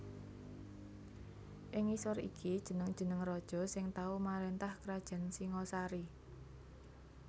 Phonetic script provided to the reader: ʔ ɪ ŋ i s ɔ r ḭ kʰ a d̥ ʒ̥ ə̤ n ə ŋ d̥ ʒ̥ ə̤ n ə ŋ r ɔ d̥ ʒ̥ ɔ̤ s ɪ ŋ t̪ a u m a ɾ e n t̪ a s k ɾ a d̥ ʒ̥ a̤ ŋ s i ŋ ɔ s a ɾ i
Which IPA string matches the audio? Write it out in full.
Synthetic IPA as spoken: ʔ ɪ ŋ i s ɔ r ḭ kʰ i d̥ ʒ̥ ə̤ n ə ŋ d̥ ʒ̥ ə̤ n ə ŋ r ɔ d̥ ʒ̥ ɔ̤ s ɪ ŋ t̪ a u m a ɾ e n t̪ a h k ɾ a d̥ ʒ̥ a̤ n s i ŋ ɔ s a ɾ i